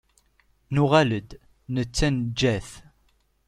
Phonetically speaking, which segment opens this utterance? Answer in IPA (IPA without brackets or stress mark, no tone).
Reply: n